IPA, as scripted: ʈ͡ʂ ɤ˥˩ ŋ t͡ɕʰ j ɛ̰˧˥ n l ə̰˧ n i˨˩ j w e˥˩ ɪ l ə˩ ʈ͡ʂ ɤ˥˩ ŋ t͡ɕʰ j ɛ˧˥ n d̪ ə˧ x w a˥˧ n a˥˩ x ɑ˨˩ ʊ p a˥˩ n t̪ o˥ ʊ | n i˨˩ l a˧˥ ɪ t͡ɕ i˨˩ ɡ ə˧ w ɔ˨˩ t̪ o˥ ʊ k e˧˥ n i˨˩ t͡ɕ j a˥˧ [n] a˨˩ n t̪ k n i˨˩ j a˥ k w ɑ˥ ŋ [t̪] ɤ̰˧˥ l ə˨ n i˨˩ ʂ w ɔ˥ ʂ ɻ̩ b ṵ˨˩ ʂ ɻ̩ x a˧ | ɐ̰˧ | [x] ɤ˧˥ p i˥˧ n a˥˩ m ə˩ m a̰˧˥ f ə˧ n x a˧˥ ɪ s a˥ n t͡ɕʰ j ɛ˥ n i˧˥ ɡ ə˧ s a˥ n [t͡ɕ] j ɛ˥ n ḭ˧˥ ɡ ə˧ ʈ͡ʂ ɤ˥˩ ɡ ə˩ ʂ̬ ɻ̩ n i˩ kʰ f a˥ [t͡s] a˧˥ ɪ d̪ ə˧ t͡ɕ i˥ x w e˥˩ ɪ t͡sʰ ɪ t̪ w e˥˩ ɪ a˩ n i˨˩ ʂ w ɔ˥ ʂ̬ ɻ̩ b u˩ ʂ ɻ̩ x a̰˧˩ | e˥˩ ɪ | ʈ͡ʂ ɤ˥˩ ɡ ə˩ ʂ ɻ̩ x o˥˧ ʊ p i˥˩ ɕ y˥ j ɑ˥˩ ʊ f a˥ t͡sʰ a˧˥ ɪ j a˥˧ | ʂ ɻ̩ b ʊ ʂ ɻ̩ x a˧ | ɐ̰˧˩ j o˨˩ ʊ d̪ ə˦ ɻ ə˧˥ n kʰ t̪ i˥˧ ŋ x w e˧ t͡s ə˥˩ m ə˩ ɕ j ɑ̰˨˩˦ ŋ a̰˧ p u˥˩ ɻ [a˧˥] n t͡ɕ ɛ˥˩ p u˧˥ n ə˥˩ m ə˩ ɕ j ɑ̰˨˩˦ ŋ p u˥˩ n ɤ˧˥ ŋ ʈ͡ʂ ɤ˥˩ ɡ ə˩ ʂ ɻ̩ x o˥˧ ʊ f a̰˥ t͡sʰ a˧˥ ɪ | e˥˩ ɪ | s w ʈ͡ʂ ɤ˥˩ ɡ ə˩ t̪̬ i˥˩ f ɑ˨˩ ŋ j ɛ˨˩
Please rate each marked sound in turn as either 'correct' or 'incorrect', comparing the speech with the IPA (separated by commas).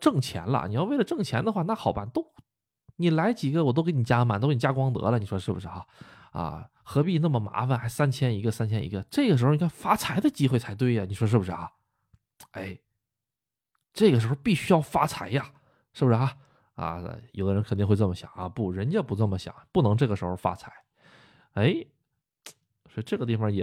incorrect, correct, correct, incorrect, incorrect, incorrect